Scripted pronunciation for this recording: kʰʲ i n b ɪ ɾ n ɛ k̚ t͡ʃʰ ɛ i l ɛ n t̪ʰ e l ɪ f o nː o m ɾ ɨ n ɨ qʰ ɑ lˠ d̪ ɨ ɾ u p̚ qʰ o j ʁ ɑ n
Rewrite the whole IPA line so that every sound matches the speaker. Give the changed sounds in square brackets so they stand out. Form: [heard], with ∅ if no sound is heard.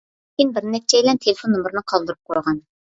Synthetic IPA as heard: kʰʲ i n b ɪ ɾ n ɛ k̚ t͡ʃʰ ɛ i l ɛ n t̪ʰ e l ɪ f o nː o m ɾ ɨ n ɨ qʰ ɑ lˠ d̪ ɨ ɾ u p̚ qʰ o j ʁ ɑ n